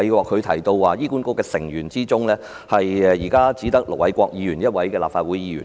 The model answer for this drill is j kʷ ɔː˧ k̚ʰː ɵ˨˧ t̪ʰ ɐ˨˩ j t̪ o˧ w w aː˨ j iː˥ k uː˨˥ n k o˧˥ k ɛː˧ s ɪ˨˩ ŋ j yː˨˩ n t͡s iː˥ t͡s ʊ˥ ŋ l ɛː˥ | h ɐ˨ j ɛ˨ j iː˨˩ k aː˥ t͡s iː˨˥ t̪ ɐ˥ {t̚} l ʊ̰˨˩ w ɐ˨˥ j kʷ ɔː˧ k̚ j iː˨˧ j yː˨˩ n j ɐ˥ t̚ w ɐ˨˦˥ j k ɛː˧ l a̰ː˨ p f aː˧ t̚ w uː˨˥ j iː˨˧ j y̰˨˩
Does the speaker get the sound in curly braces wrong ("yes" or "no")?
yes